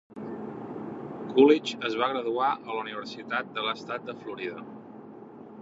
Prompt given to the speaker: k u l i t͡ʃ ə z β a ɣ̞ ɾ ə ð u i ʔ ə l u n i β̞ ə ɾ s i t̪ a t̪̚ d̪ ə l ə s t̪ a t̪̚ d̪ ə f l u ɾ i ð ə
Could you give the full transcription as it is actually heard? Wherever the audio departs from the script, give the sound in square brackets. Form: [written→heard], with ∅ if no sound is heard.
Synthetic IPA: k u l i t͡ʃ ə z β a ɣ̞ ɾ ə ð u [i→a] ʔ ə l u n i β̞ ə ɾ s i t̪ a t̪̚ d̪ ə l ə s t̪ a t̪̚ d̪ ə f l u ɾ i ð ə